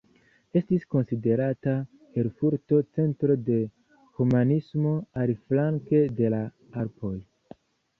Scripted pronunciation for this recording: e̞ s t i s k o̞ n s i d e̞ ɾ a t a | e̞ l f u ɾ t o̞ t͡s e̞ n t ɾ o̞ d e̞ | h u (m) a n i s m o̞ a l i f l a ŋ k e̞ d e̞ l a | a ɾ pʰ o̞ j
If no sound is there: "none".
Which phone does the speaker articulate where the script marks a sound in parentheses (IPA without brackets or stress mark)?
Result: m